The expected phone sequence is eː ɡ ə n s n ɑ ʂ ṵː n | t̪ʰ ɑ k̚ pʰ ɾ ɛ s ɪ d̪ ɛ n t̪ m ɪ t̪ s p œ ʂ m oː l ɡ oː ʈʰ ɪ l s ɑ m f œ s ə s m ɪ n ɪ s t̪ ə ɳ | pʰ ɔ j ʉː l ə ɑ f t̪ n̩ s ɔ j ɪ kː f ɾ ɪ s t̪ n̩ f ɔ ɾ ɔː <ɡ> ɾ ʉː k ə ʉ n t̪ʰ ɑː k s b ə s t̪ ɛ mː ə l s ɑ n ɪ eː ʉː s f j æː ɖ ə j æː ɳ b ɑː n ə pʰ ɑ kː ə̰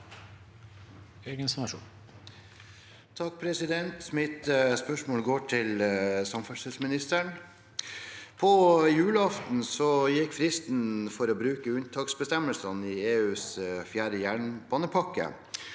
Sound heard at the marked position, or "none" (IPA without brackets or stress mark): b